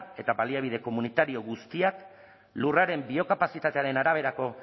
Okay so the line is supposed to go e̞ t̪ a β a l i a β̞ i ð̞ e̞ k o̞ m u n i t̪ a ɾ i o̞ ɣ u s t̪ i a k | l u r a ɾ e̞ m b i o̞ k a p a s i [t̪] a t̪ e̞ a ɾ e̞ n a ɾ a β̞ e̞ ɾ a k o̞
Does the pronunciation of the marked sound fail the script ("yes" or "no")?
no